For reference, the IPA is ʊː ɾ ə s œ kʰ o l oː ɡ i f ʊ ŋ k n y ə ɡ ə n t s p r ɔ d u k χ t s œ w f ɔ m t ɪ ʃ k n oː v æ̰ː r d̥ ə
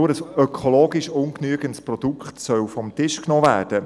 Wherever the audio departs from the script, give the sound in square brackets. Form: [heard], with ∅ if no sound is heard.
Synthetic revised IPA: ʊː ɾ ə s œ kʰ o l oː ɡ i [ʃ] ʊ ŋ k n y ə ɡ ə n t s p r ɔ d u k χ t s œ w f ɔ m t ɪ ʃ k n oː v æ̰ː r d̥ ə

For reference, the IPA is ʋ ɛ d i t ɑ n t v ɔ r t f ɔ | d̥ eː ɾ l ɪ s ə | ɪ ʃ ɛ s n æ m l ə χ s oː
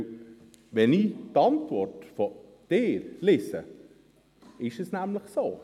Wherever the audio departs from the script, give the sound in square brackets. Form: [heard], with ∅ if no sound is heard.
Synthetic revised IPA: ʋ ɛ [n] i t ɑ n t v ɔ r t f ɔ | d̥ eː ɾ l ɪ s ə | ɪ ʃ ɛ s n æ m l ə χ s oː

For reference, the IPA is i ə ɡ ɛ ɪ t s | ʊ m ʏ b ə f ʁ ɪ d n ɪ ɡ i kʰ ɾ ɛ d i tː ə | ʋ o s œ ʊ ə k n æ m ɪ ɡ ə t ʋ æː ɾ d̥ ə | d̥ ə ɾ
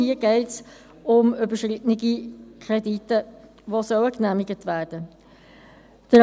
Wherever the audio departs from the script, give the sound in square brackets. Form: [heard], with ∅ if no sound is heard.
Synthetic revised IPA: i ə ɡ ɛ ɪ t s | ʊ m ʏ b ə [ʃ] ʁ ɪ [t] n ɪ ɡ i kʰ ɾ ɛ d i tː ə | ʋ o s œ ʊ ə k n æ m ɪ ɡ ə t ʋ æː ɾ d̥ ə | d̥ ə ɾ

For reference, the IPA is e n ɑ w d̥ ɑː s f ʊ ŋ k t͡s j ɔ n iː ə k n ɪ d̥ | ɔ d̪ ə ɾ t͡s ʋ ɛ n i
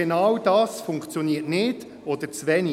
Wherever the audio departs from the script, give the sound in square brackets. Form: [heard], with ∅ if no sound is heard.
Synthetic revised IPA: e n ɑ w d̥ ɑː s f ʊ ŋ k t͡s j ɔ n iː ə [t] n ɪ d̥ | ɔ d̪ ə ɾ t͡s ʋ ɛ n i

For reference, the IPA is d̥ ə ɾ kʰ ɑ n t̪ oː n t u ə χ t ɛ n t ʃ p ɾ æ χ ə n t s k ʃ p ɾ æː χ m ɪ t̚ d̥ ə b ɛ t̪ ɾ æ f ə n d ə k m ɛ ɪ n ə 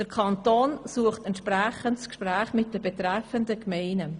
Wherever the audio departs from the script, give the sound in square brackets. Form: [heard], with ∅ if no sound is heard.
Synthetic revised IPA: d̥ ə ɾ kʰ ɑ n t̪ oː n [s] u ə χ t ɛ n t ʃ p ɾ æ χ ə n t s k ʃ p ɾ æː χ m ɪ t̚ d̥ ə b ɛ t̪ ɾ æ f ə n d ə k m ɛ ɪ n ə

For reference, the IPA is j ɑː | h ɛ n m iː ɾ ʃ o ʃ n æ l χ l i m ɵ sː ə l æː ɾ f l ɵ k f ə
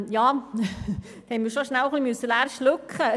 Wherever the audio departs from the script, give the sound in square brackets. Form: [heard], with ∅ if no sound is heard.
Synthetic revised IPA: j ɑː | h ɛ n m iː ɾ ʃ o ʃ n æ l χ l i m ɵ sː ə l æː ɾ [ʃ] l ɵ k [χ] ə

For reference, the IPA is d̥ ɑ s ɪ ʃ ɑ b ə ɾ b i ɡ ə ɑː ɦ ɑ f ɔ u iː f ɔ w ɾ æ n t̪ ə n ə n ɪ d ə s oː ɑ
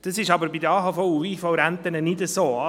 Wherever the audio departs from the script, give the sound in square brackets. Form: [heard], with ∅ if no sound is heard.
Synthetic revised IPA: d̥ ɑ s ɪ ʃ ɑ b ə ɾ b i [d] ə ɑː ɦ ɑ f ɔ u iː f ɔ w ɾ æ n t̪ ə n ə n ɪ d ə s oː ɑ

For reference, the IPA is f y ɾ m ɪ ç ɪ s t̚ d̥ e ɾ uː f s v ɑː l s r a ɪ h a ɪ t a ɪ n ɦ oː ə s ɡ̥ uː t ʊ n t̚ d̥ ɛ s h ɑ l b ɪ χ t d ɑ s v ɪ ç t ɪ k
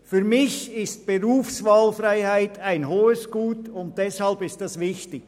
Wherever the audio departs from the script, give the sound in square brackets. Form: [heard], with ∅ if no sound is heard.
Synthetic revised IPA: f y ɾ m ɪ ç ɪ s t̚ [b̥] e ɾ uː f s v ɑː l [f] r a ɪ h a ɪ t a ɪ n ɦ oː ə s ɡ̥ uː t ʊ n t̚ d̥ ɛ s h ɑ l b ɪ [s] t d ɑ s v ɪ ç t ɪ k

